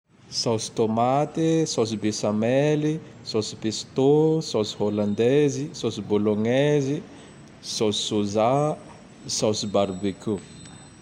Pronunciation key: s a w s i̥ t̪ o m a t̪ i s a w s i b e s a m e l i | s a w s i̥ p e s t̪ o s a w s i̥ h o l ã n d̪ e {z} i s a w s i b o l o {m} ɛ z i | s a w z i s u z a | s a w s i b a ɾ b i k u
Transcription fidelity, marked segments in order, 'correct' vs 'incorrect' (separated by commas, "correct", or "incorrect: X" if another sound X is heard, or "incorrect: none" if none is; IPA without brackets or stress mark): correct, incorrect: ŋ